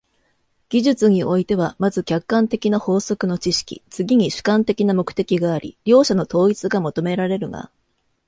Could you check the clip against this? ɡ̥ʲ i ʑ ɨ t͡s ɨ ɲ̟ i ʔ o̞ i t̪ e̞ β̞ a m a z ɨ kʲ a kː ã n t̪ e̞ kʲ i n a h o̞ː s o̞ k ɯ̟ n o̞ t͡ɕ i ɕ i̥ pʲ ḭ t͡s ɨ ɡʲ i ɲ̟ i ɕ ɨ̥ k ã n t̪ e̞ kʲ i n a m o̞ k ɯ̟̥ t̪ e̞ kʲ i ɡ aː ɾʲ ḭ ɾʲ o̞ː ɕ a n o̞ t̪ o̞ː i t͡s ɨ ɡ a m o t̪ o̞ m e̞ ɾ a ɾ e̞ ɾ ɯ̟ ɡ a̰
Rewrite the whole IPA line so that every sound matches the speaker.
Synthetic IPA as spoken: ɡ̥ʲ i ʑ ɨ t͡s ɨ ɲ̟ i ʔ o̞ i t̪ e̞ β̞ a m a z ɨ kʲ a kː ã n t̪ e̞ kʲ i n a h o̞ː s o̞ k ɯ̟ n o̞ t͡ɕ i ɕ i̥ kʲ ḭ t͡s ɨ ɡʲ i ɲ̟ i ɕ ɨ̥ k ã n t̪ e̞ kʲ i n a m o̞ k ɯ̟̥ t̪ e̞ kʲ i ɡ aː ɾʲ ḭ ɾʲ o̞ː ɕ a n o̞ t̪ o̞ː i t͡s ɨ ɡ a m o t̪ o̞ m e̞ ɾ a ɾ e̞ ɾ ɯ̟ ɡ a̰

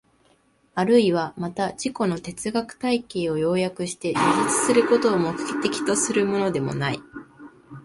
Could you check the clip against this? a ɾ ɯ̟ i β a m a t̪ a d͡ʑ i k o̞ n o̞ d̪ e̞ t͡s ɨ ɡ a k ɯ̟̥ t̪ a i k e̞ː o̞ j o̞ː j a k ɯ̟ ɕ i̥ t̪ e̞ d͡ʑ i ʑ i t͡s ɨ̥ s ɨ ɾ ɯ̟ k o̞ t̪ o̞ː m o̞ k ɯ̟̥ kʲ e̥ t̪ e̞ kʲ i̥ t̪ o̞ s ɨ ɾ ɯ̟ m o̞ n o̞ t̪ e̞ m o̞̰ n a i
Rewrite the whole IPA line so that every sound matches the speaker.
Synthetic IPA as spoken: a ɾ ɯ̟ i β a m a t̪ a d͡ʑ i k o̞ n o̞ t̪ e̞ t͡s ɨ ɡ a k ɯ̟̥ t̪ a i k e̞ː o̞ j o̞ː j a k ɯ̟ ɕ i̥ t̪ e̞ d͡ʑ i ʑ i t͡s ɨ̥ s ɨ ɾ ɯ̟ k o̞ t̪ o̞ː m o̞ k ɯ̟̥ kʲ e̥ t̪ e̞ kʲ i̥ t̪ o̞ s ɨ ɾ ɯ̟ m o̞ n o̞ d̪ e̞ m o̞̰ n a i

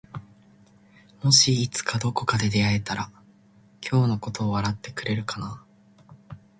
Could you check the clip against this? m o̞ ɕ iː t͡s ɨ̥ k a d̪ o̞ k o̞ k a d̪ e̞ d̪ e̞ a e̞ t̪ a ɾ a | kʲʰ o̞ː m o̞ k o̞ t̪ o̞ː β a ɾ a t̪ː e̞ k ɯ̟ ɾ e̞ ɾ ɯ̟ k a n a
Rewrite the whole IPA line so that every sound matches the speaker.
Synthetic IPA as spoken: m o̞ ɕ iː t͡s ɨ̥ k a d̪ o̞ k o̞ k a d̪ e̞ d̪ e̞ a e̞ t̪ a ɾ a | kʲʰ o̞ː n o̞ k o̞ t̪ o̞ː β a ɾ a t̪ː e̞ k ɯ̟ ɾ e̞ ɾ ɯ̟ k a n a

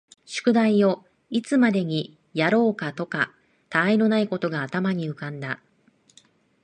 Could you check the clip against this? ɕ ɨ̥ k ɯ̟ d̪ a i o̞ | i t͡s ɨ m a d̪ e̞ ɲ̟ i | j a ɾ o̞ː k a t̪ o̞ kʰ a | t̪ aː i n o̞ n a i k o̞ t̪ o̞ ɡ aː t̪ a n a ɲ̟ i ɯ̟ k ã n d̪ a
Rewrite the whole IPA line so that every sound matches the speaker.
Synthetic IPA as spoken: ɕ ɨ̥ k ɯ̟ d̪ a i o̞ | i t͡s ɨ m a d̪ e̞ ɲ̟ i | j a ɾ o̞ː k a t̪ o̞ k a | t̪ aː i n o̞ n a i k o̞ t̪ o̞ ɡ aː t̪ a m a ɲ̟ i ɯ̟ k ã n d̪ a

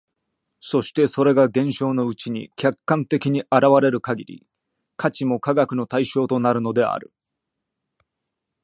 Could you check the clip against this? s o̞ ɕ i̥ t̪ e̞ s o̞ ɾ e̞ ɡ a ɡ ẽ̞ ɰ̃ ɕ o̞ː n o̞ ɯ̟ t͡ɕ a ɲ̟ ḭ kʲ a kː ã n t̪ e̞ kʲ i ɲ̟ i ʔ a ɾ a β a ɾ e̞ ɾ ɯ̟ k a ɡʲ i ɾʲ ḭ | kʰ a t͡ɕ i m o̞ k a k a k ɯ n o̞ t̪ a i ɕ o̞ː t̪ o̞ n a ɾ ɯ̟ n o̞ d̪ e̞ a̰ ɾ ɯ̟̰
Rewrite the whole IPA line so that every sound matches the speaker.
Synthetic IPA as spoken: s o̞ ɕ i̥ t̪ e̞ s o̞ ɾ e̞ ɡ a ɡ ẽ̞ ɰ̃ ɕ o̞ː n o̞ ɯ̟ t͡ɕ i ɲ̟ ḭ kʲ a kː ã n t̪ e̞ kʲ i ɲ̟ i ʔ a ɾ a β a ɾ e̞ ɾ ɯ̟ k a ɡʲ i ɾʲ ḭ | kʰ a t͡ɕ i m o̞ k a ɡ a k ɯ n o̞ t̪ a i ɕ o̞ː t̪ o̞ n a ɾ ɯ̟ n o̞ d̪ e̞ a̰ ɾ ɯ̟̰

